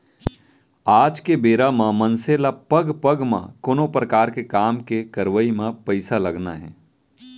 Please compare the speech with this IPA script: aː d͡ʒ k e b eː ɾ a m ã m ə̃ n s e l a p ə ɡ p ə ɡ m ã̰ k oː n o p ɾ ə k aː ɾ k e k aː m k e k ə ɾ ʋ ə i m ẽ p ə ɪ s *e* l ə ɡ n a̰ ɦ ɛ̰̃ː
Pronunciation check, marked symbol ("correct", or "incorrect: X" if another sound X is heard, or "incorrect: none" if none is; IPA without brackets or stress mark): incorrect: a